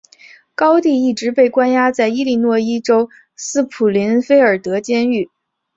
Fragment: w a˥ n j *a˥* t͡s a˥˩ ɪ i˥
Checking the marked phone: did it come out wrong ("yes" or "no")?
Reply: no